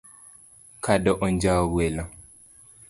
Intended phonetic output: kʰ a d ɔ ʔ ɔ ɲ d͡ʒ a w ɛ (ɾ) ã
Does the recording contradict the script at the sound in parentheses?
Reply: yes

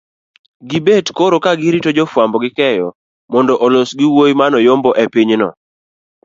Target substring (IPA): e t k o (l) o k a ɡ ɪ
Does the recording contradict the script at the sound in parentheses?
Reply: yes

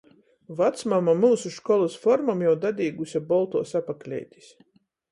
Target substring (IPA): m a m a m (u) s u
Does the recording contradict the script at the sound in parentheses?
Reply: yes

